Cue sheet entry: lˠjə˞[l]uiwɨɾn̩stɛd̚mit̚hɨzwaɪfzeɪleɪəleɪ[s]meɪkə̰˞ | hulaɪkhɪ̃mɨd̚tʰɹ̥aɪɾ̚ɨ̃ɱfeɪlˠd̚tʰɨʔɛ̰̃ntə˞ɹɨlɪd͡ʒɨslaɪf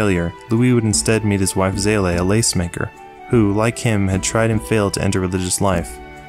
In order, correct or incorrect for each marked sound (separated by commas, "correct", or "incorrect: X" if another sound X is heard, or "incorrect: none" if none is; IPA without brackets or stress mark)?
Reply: correct, correct